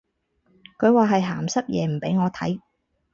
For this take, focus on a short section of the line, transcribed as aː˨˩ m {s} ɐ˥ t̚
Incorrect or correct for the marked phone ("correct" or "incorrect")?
correct